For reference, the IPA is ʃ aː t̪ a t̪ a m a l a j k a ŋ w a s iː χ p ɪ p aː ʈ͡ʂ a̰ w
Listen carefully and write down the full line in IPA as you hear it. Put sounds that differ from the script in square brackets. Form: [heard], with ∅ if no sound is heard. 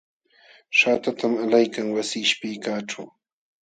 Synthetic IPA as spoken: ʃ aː t̪ a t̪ a m a l a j k a ŋ w a s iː [ʃ] p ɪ [k] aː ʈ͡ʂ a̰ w